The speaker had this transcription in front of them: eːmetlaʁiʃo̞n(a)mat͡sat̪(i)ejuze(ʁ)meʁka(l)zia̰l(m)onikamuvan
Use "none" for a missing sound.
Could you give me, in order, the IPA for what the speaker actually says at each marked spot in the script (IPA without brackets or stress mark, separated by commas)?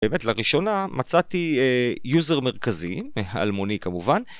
a, i, ʁ, none, m